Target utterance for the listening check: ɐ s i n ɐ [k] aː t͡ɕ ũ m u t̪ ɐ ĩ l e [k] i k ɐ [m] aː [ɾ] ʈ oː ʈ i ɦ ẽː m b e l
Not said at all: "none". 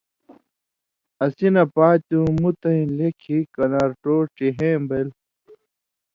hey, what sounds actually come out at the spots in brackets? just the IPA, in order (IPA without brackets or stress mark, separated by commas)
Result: p, kʰ, n, ɾ